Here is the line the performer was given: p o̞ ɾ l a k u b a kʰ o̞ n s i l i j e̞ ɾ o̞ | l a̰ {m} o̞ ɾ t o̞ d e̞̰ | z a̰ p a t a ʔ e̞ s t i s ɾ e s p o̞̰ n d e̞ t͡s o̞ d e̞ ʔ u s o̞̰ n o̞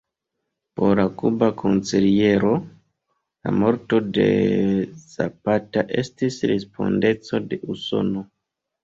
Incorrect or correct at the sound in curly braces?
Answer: correct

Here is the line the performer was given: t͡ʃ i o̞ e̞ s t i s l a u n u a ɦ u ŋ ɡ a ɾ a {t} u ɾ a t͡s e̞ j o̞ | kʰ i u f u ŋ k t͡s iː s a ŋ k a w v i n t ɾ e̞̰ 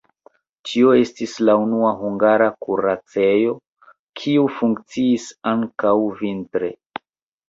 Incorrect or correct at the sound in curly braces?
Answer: incorrect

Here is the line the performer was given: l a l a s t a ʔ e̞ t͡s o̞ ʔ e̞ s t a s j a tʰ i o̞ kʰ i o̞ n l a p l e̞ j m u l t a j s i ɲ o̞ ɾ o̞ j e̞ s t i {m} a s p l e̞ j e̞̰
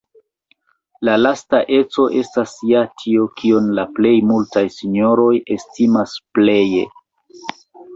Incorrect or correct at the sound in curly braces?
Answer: correct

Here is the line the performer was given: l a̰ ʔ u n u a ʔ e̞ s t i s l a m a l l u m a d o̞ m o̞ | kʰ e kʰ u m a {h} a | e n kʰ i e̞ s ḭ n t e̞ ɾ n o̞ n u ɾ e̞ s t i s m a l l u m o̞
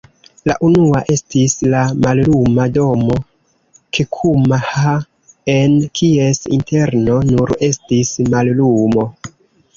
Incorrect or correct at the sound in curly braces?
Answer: correct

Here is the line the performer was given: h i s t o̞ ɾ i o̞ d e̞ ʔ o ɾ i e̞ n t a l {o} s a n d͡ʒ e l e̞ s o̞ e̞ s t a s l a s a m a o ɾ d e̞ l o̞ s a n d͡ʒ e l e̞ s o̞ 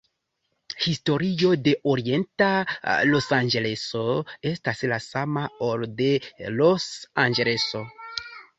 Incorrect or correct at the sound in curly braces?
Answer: correct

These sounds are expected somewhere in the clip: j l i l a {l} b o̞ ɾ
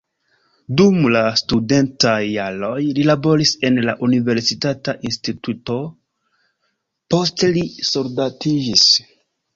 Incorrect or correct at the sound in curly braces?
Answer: incorrect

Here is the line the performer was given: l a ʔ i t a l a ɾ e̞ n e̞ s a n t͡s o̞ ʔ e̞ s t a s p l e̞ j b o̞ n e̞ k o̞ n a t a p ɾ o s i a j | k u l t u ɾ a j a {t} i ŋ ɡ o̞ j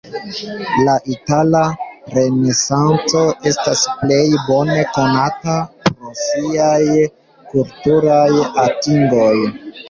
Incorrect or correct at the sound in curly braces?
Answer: correct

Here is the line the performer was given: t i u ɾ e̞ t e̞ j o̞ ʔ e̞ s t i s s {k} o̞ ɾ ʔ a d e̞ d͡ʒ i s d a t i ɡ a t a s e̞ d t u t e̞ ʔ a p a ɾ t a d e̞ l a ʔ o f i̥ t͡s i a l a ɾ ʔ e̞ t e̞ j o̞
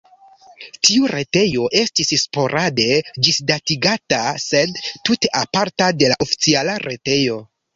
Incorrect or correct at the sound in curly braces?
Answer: incorrect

